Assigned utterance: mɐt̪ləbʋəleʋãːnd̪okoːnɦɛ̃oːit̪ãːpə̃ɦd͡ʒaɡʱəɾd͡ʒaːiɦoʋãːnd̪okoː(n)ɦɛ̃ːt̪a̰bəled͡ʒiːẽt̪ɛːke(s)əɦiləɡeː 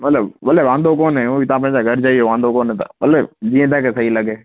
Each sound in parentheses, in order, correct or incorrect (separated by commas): correct, correct